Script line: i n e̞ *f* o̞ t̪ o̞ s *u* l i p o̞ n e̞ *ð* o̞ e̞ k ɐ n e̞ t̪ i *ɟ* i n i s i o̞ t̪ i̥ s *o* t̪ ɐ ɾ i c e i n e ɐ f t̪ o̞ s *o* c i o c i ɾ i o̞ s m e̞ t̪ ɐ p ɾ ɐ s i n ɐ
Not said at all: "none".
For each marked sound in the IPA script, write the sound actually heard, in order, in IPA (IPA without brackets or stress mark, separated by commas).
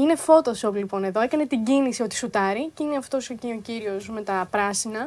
f, o, ð, ɟ, u, o